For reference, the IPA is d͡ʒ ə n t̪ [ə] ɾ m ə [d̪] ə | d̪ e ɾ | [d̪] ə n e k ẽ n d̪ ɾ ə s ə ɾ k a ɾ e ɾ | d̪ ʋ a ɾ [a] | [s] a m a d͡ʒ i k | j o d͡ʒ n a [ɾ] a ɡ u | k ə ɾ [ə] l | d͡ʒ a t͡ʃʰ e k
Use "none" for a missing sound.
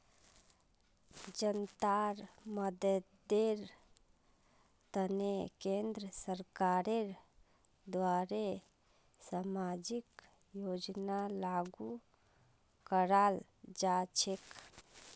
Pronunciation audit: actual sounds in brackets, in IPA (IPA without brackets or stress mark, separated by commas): a, d̪, t̪, e, s, l, a